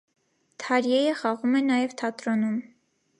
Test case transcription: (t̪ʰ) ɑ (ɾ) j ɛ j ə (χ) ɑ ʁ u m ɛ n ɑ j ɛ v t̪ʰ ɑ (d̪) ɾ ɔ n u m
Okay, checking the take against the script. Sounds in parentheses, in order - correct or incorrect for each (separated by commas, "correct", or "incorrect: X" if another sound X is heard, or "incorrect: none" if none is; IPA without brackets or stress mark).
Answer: correct, correct, correct, incorrect: t̪